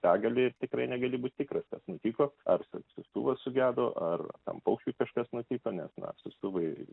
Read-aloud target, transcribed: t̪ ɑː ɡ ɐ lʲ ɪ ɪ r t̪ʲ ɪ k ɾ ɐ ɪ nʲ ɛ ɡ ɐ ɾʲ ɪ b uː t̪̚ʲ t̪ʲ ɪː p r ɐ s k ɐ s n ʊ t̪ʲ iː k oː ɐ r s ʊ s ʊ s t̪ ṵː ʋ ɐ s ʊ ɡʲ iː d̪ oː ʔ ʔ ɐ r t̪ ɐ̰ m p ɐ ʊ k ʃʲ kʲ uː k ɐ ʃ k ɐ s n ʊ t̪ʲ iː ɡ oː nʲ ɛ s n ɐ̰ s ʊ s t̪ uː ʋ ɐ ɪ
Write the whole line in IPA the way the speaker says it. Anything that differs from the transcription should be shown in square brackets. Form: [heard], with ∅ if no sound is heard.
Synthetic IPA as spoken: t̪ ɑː ɡ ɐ lʲ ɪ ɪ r t̪ʲ ɪ k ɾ ɐ ɪ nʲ ɛ ɡ ɐ [lʲ] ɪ b uː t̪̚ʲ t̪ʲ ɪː [k] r ɐ s k ɐ s n ʊ t̪ʲ iː k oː ɐ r s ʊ s ʊ s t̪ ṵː ʋ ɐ s ʊ ɡʲ [æː] d̪ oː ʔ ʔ ɐ r t̪ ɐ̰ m p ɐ ʊ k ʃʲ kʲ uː k ɐ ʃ k ɐ s n ʊ t̪ʲ iː [k] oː nʲ ɛ s n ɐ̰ s ʊ s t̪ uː ʋ ɐ ɪ